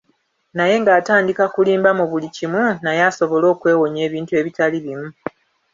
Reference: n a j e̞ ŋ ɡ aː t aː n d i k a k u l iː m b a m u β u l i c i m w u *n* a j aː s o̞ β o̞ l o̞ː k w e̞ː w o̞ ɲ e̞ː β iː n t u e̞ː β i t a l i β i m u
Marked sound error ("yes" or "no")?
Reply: no